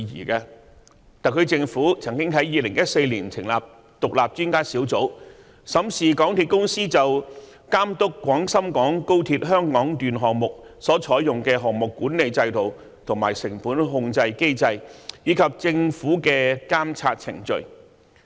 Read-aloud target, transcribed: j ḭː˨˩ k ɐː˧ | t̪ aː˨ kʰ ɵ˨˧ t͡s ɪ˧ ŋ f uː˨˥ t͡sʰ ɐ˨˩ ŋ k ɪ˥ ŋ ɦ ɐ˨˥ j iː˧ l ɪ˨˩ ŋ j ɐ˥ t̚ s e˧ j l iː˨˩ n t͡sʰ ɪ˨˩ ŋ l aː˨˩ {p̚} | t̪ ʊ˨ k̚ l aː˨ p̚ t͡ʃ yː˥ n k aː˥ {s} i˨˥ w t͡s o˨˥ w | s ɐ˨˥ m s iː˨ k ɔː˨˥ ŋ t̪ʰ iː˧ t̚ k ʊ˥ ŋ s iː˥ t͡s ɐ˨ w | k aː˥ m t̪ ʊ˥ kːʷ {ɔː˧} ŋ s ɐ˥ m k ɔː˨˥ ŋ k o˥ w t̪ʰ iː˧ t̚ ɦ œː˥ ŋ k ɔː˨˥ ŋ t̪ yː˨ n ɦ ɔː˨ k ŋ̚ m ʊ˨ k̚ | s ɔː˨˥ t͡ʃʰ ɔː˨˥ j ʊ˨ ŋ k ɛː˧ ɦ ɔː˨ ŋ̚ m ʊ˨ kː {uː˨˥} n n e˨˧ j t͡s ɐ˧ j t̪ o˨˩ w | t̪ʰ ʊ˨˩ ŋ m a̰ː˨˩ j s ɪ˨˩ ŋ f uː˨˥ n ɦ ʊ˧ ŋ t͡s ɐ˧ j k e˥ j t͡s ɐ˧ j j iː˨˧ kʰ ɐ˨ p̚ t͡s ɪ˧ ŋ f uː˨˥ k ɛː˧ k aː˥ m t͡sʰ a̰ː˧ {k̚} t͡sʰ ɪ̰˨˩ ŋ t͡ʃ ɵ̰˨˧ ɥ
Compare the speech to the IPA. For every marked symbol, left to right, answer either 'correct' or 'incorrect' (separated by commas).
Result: correct, correct, incorrect, correct, incorrect